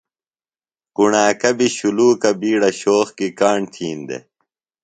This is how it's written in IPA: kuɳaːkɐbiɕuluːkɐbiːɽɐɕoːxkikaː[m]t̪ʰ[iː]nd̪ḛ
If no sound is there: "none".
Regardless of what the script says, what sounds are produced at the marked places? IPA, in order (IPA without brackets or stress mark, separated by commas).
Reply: ɳ, iː